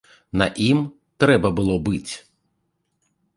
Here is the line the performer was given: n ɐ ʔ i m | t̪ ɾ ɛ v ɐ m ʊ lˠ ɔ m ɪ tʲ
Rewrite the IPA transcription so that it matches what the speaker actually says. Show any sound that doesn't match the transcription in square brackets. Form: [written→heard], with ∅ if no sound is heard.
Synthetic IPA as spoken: n ɐ ʔ i m | t̪ ɾ ɛ [v→b] ɐ [m→b] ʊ lˠ ɔ [m→b] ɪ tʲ

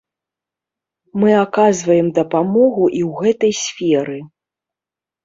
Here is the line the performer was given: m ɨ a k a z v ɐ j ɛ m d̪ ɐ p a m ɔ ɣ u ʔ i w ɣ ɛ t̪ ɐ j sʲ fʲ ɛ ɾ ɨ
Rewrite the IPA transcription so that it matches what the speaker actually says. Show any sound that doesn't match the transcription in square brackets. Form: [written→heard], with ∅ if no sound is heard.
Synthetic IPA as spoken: m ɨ a k a z v ɐ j ɛ m d̪ ɐ p a m ɔ ɣ u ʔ i w ɣ ɛ t̪ ɐ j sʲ fʲ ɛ ɾ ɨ

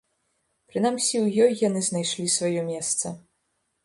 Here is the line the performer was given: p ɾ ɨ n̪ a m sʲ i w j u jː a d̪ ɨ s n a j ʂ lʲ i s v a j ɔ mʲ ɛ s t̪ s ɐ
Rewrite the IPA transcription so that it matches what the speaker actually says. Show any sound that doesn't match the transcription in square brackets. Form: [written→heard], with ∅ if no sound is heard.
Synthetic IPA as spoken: p ɾ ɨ n̪ a m sʲ i w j [u→ɔ] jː a [d̪→n̪] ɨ [s→z] n a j ʂ lʲ i s v a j ɔ mʲ ɛ s t̪ s ɐ

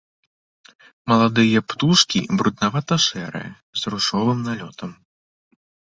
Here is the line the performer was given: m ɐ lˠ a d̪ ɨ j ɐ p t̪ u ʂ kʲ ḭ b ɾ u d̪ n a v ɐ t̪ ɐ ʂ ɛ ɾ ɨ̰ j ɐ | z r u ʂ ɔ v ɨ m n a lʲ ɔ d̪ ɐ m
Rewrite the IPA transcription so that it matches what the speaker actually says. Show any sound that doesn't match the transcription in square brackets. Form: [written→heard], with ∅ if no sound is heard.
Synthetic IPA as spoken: m ɐ lˠ a d̪ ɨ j ɐ p t̪ u ʂ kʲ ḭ b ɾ u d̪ n a v [ɐ→a] t̪ ɐ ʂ ɛ ɾ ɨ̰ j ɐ | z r u ʂ ɔ v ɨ m n a lʲ ɔ [d̪→t̪] ɐ m

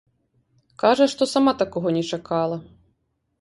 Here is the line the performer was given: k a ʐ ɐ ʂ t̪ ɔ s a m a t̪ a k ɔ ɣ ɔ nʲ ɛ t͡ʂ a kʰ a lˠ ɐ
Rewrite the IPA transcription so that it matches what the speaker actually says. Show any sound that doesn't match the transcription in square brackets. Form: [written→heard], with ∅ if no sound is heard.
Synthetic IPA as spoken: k a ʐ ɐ ʂ t̪ ɔ s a m a t̪ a k ɔ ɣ ɔ nʲ ɛ t͡ʂ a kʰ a lˠ ɐ

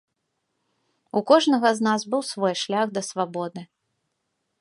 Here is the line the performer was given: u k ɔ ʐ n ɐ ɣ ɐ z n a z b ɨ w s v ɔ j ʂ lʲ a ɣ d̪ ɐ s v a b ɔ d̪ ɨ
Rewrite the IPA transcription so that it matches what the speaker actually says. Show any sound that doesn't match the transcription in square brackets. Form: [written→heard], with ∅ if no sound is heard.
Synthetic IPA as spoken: u k ɔ ʐ n ɐ ɣ ɐ z n a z b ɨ w s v ɔ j ʂ lʲ a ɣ d̪ ɐ s v a b ɔ d̪ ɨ

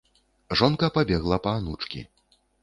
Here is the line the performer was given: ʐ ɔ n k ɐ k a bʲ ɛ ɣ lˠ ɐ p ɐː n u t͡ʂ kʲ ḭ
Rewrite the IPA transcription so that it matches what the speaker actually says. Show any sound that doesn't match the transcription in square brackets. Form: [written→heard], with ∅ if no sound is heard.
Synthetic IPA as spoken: ʐ ɔ n k ɐ [k→p] a bʲ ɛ ɣ lˠ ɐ p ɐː n u t͡ʂ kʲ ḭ

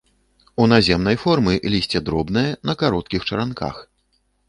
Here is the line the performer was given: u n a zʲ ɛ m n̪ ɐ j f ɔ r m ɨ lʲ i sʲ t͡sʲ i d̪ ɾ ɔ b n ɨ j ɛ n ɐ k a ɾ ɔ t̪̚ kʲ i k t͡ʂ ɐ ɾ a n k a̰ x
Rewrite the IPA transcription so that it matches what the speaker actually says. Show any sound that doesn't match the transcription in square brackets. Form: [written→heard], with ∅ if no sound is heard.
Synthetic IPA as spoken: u n a zʲ ɛ m n̪ ɐ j f ɔ r m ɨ lʲ i sʲ t͡sʲ [i→ɛ] d̪ ɾ ɔ b n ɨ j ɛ n ɐ k a ɾ ɔ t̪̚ kʲ i [k→x] t͡ʂ ɐ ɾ a n k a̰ x

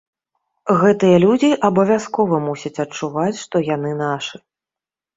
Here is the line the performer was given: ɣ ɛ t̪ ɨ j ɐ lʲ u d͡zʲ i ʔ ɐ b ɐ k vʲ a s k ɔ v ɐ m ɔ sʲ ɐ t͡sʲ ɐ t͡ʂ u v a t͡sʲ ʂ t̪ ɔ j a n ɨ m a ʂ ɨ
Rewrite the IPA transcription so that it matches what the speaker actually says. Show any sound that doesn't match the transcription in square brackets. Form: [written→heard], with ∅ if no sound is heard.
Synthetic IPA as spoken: ɣ ɛ t̪ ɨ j ɐ lʲ u d͡zʲ i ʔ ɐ b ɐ [k→∅] vʲ a s k ɔ v ɐ m [ɔ→u] sʲ ɐ t͡sʲ ɐ t͡ʂ u v a t͡sʲ ʂ t̪ ɔ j a n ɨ [m→n] a ʂ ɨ

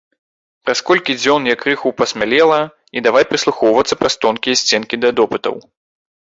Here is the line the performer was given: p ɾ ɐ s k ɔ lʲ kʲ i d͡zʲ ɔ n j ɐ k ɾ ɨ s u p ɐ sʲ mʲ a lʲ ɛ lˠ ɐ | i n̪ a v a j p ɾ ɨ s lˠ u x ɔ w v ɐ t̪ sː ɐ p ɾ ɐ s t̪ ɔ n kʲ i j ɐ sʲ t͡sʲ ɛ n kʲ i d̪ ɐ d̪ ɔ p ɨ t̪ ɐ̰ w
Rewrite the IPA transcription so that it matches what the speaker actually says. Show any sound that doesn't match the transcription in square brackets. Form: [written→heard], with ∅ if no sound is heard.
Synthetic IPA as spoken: p ɾ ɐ s k ɔ lʲ kʲ i d͡zʲ ɔ n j ɐ k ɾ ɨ [s→x] u p ɐ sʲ mʲ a lʲ ɛ lˠ ɐ | i [n̪→d̪] a v a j p ɾ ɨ s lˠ u x ɔ w v ɐ t̪ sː ɐ p ɾ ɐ s t̪ ɔ n kʲ i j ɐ sʲ t͡sʲ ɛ n kʲ i d̪ ɐ d̪ ɔ p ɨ t̪ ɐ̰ w

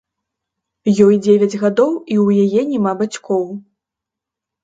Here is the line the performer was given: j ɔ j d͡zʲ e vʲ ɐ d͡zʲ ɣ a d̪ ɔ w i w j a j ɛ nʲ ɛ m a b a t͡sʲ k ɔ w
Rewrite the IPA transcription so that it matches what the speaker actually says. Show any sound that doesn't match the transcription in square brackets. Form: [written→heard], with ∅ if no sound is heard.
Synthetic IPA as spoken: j ɔ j d͡zʲ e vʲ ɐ d͡zʲ ɣ a d̪ ɔ w i w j a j ɛ nʲ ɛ m a b a t͡sʲ k ɔ w

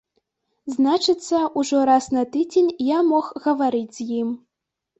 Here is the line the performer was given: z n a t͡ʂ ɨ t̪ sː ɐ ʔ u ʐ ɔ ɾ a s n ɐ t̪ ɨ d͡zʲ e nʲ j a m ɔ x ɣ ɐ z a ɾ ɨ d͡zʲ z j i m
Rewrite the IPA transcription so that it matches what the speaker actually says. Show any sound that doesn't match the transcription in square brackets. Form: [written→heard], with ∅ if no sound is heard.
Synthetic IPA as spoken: z n a t͡ʂ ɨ t̪ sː ɐ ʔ u ʐ ɔ ɾ a s n ɐ t̪ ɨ d͡zʲ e nʲ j a m ɔ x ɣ ɐ [z→v] a ɾ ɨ d͡zʲ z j i m

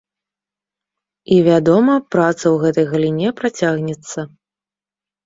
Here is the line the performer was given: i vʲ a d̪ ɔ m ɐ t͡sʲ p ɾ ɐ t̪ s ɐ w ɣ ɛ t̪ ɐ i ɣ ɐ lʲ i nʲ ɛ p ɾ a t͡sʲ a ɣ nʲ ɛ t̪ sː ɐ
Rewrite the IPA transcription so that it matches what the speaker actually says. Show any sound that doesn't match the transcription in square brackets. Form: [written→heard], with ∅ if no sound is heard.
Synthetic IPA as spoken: i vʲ a d̪ ɔ m ɐ [t͡sʲ→∅] p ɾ [ɐ→a] t̪ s ɐ w ɣ ɛ t̪ ɐ [i→j] ɣ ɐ lʲ i nʲ ɛ p ɾ a t͡sʲ a ɣ nʲ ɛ t̪ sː ɐ

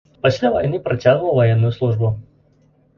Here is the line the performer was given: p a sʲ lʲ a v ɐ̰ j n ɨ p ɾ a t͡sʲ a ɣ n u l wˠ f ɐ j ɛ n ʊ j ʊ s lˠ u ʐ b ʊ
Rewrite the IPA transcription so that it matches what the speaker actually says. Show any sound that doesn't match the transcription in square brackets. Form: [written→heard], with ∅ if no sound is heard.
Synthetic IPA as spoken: p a sʲ lʲ a v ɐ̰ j n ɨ p ɾ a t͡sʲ a ɣ n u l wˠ [f→v] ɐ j ɛ [n→nː] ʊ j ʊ s lˠ u ʐ b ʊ

